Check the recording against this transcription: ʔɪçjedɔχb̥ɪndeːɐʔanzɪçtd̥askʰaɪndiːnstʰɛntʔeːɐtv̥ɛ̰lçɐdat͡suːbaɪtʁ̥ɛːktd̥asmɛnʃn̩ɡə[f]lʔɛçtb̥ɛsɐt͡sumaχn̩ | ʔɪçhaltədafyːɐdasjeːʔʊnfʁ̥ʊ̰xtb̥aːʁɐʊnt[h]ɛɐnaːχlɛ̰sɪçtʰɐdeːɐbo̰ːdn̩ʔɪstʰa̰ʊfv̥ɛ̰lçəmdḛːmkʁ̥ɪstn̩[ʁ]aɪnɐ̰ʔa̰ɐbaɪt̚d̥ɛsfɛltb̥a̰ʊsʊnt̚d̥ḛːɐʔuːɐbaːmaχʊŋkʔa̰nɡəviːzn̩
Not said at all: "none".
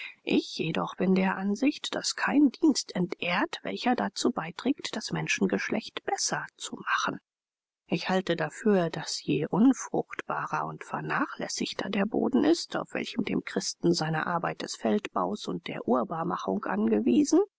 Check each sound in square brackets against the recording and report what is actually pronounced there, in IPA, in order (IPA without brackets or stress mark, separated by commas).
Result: ʃ, f, z